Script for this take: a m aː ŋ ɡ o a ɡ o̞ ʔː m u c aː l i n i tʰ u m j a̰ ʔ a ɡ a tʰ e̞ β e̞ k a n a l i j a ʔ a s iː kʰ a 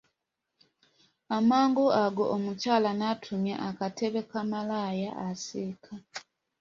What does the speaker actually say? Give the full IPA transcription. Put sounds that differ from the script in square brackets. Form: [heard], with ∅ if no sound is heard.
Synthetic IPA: a m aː ŋ ɡ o a ɡ o̞ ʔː m u c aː l [a] n [a] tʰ u m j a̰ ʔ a [k] a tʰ e̞ β e̞ k a [m] a l [a] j a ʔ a s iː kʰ a